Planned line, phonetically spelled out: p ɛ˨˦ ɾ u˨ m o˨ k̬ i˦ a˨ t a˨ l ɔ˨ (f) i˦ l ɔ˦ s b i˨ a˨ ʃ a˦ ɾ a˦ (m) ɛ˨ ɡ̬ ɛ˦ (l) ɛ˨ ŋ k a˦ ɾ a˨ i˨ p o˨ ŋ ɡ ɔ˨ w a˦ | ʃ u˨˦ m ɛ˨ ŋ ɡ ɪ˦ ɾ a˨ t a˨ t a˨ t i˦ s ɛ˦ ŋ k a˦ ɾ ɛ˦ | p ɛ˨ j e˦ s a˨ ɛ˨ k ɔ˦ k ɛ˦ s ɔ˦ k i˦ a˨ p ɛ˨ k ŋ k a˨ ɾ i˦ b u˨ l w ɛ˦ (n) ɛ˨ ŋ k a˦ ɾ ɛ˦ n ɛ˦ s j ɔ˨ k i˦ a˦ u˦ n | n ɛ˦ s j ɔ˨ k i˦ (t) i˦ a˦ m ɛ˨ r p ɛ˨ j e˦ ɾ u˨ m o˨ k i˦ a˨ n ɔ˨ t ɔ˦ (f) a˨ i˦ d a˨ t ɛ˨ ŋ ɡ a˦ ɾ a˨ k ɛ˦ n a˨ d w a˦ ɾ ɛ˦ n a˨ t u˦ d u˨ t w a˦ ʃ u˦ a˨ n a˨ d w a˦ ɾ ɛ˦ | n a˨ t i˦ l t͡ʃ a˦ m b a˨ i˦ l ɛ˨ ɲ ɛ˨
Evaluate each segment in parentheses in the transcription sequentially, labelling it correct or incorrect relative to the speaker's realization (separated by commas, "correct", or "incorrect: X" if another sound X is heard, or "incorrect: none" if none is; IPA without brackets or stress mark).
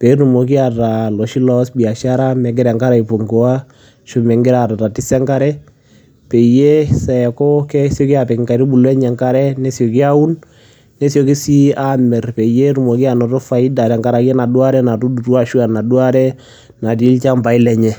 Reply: incorrect: ʃ, correct, incorrect: ɾ, incorrect: ɲ, incorrect: s, correct